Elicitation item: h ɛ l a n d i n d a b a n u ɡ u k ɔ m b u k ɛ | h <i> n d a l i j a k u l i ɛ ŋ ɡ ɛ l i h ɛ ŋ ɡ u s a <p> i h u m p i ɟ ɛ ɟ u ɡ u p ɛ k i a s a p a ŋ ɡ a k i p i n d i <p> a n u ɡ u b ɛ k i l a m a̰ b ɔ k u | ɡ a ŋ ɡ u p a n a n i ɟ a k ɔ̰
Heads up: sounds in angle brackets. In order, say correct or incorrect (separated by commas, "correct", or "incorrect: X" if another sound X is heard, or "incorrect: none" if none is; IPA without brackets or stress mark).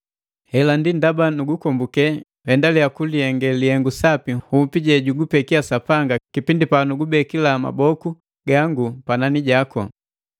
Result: incorrect: ɛ, correct, correct